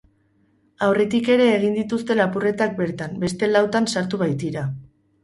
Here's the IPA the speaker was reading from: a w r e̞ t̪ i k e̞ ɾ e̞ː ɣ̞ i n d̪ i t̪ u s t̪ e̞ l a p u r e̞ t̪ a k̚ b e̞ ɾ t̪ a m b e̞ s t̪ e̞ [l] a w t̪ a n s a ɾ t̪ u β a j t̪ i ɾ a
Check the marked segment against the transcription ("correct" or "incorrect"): correct